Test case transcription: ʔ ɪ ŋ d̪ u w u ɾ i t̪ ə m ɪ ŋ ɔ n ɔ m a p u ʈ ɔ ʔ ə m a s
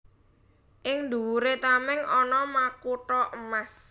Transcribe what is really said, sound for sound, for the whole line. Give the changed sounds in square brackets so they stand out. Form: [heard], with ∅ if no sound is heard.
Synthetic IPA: ʔ ɪ ŋ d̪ u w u ɾ [e] t̪ [a] m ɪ ŋ ɔ n ɔ m a [k] u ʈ ɔ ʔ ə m a s